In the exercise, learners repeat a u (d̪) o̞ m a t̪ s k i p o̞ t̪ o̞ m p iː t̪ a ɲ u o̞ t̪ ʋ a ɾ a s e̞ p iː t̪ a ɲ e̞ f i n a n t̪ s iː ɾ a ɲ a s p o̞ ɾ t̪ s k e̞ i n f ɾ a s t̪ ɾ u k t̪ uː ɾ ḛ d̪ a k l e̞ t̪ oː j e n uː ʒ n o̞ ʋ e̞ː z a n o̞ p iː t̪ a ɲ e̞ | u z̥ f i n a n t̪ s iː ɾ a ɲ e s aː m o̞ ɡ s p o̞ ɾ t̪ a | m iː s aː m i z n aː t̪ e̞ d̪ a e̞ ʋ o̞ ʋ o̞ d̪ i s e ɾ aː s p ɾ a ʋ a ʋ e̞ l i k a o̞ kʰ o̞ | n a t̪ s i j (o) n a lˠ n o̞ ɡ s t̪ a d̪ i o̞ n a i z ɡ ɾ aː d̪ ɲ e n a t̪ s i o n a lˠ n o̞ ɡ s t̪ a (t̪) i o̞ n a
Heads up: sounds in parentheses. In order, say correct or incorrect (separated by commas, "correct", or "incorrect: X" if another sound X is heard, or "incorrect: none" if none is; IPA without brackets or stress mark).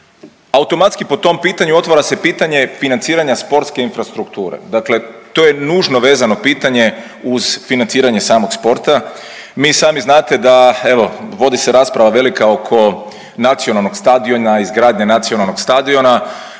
incorrect: t̪, correct, incorrect: d̪